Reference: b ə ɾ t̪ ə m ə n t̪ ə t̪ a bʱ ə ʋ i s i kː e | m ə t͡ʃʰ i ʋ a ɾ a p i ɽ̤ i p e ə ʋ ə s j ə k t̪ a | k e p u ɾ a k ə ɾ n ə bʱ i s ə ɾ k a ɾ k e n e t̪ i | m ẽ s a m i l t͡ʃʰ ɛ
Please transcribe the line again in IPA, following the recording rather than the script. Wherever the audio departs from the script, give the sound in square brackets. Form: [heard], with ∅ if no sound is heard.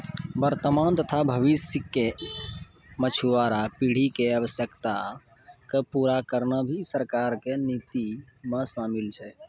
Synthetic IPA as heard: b ə ɾ t̪ ə m [a] n t̪ ə [t̪ʰ] a bʱ ə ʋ i s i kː e | m ə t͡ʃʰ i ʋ a ɾ a p i ɽ̤ i [k] e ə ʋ ə s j ə k t̪ a | k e p u ɾ a k ə ɾ n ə bʱ i s ə ɾ k a ɾ k e n [i] t̪ i | m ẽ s a m i l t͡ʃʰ ɛ